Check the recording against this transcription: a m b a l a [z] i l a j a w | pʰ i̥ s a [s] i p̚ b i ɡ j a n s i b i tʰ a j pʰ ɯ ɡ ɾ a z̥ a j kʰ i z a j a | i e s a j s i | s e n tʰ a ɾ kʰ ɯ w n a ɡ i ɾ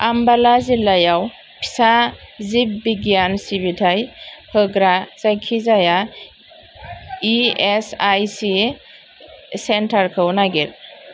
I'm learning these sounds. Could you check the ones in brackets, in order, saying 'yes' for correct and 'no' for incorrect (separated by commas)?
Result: yes, no